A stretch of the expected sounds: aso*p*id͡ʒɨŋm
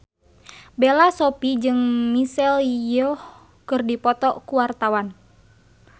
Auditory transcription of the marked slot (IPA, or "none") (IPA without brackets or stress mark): p